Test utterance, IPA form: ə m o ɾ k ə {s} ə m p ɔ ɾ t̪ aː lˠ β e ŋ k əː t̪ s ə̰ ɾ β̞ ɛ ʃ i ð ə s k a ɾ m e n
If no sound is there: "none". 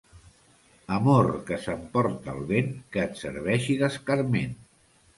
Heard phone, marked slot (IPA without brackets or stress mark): s